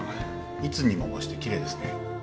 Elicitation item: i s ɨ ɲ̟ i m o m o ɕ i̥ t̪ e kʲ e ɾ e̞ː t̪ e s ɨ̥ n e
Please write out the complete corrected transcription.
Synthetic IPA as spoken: i t͡s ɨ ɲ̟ i m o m o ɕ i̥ t̪ e kʲ i ɾ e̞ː d̪ e s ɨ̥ n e